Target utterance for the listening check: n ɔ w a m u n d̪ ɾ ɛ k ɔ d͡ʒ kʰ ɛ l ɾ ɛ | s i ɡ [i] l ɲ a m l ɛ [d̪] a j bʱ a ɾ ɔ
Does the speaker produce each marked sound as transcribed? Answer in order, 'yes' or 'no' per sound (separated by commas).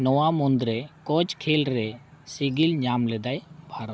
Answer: yes, yes